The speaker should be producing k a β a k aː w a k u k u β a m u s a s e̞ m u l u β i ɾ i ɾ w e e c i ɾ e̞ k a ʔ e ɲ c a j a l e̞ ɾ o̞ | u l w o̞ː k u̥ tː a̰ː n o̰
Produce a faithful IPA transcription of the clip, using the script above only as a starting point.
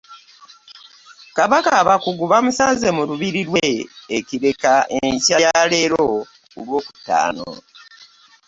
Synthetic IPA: k a β a k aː β a k u ɡ u β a m u s a z e̞ m u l u β i ɾ i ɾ w e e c i ɾ e̞ k a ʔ e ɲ c a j a l e̞ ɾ o̞ | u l w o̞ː k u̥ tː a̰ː n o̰